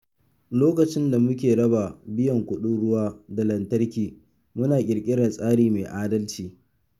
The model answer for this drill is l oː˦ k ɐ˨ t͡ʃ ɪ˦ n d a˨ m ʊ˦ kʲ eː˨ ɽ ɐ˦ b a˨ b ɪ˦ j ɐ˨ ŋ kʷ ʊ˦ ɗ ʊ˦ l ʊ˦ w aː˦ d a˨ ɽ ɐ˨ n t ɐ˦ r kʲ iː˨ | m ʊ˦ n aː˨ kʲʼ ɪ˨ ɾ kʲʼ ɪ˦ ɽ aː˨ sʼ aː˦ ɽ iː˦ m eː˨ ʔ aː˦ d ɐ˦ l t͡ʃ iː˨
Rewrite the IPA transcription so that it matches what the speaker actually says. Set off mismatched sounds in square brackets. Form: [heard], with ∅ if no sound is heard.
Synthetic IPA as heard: l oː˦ k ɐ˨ t͡ʃ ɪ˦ n d a˨ m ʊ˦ kʲ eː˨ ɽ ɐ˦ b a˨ b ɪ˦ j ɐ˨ ŋ kʷ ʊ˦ ɗ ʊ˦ [ɽ] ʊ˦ w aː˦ d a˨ [l] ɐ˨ n t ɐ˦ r kʲ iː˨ | m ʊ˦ n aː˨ kʲʼ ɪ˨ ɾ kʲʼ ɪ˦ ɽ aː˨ sʼ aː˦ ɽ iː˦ m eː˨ ʔ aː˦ d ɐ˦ l t͡ʃ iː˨

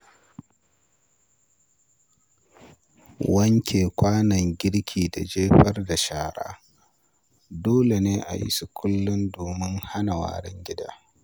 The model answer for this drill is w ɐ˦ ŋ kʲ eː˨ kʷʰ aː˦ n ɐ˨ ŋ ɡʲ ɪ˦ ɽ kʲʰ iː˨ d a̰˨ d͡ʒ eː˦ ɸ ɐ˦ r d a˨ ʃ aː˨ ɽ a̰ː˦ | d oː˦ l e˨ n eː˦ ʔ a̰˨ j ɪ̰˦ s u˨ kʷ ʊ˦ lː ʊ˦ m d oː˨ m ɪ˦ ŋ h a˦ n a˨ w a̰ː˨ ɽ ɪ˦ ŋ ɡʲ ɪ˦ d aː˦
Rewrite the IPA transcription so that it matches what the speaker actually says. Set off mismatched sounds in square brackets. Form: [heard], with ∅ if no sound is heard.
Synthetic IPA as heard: w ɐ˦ ŋ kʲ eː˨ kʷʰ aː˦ n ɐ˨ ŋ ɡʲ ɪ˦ ɽ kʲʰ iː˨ d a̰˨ d͡ʒ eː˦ ɸ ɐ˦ r d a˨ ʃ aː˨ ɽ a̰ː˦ | d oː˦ l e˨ n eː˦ ʔ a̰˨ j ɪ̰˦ s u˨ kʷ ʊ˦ lː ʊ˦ [n] d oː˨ m ɪ˦ ŋ h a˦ n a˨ w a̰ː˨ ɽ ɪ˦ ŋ ɡʲ ɪ˦ d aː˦

